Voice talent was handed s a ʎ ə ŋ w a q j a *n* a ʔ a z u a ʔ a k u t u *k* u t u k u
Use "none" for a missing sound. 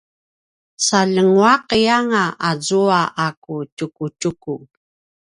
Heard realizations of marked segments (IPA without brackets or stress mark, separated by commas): ŋ, k